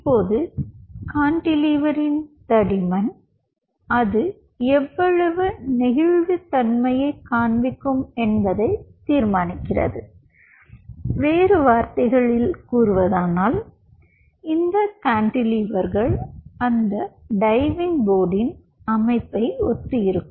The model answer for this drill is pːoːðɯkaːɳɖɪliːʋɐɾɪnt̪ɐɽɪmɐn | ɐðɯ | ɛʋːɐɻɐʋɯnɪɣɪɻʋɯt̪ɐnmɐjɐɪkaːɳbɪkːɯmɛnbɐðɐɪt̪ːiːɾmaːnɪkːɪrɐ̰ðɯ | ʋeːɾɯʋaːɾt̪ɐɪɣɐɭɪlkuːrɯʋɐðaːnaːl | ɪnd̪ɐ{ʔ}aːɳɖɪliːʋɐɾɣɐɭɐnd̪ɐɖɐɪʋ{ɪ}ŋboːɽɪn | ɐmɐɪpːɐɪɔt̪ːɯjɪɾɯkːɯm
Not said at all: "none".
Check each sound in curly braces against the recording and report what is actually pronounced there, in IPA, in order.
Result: k, ɪ

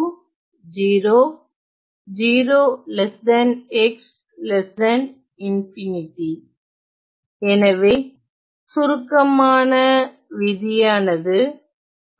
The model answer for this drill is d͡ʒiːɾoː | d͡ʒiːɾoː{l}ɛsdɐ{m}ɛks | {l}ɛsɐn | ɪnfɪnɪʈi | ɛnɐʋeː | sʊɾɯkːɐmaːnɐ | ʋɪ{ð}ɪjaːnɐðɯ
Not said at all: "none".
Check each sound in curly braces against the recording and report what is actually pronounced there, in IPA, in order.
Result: l, n, l, ð

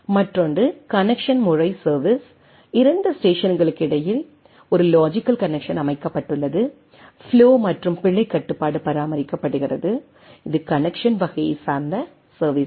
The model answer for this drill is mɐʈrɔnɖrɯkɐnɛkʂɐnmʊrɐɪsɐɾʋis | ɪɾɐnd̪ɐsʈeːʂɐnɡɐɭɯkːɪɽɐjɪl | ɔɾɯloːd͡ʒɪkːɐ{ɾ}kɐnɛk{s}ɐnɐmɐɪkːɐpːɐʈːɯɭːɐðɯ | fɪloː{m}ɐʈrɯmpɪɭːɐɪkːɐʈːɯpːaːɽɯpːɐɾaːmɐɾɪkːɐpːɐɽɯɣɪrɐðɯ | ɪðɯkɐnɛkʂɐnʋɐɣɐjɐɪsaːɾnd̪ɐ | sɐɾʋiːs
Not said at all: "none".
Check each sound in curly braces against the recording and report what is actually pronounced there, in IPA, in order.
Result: l, ʂ, m

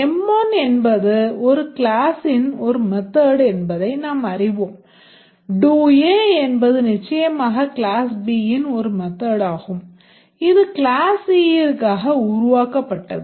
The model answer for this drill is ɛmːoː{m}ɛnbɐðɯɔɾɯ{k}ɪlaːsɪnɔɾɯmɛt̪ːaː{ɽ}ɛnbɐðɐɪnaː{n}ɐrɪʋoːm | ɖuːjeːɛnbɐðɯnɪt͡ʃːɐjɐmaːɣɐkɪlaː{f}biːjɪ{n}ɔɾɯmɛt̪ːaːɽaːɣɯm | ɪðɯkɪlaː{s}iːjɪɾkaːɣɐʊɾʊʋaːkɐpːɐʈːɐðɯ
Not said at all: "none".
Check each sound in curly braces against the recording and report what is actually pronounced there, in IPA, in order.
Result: n, k, ɽ, m, s, n, s

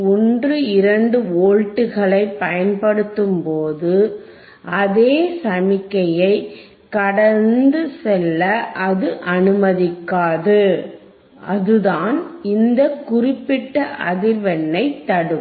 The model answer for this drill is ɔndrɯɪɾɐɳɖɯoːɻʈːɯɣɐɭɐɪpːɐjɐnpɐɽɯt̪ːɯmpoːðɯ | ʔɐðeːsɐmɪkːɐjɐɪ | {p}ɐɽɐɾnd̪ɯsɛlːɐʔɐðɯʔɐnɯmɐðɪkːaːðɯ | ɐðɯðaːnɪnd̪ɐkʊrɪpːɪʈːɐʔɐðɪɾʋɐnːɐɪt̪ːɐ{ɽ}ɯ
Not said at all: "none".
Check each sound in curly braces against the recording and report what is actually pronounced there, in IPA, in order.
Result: k, ɽ

